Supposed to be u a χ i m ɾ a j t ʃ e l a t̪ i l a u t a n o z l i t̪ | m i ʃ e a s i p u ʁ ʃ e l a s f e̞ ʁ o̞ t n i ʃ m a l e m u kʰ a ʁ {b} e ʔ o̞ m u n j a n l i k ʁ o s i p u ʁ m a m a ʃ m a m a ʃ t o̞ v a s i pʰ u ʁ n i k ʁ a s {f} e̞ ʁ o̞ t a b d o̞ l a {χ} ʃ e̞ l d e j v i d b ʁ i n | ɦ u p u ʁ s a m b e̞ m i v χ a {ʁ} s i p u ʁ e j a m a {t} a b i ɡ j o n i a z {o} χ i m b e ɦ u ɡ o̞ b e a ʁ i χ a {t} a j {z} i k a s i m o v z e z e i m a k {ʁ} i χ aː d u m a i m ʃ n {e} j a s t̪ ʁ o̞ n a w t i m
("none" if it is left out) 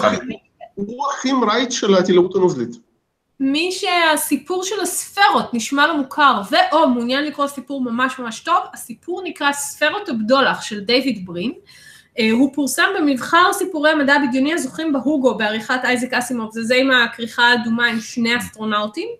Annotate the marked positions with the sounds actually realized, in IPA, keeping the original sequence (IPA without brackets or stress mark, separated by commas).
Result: v, f, χ, ʁ, d, o, t, z, ʁ, e